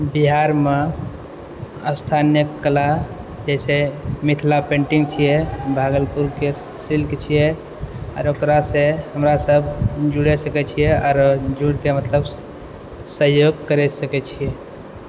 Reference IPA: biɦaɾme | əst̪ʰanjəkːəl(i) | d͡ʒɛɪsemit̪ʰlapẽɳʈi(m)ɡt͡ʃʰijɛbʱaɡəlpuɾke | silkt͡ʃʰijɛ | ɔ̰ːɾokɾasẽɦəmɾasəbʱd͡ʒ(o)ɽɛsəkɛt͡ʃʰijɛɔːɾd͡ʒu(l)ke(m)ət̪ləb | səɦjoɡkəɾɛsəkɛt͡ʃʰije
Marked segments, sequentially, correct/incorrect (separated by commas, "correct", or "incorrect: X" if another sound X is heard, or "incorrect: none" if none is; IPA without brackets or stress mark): incorrect: a, incorrect: ŋ, incorrect: u, incorrect: ɽ, correct